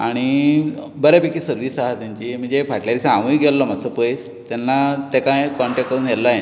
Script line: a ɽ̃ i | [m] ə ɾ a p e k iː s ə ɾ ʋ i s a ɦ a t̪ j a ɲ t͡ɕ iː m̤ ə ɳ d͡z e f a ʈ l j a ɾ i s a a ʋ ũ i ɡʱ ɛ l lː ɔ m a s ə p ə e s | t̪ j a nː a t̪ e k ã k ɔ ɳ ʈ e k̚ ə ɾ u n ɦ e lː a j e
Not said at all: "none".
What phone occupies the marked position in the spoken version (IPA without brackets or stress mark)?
b